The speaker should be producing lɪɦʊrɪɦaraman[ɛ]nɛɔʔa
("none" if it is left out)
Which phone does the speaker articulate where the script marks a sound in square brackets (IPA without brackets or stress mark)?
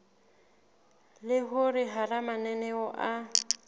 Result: ɛ